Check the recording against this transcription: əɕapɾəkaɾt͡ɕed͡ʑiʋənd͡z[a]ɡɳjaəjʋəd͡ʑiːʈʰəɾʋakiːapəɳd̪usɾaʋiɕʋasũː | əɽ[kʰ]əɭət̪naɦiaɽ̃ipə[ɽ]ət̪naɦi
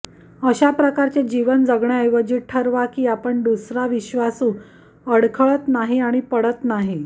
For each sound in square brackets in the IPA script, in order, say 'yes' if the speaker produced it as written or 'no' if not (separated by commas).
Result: no, yes, yes